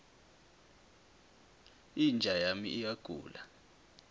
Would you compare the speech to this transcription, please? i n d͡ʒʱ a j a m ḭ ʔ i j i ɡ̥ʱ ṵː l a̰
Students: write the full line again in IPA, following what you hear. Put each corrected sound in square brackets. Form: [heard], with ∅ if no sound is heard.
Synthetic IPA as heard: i n d͡ʒʱ a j a m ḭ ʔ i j [a] ɡ̥ʱ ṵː l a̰